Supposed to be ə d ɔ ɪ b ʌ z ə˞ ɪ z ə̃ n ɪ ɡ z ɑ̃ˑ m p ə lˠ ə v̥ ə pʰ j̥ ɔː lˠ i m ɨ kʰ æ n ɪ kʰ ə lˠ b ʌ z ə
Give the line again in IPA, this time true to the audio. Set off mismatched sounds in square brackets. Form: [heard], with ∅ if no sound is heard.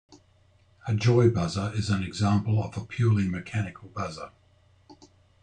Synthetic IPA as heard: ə [d͡ʒ] ɔ ɪ b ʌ z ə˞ ɪ z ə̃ n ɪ ɡ z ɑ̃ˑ m p ə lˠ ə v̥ ə pʰ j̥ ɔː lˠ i m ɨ kʰ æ n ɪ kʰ ə lˠ b ʌ z ə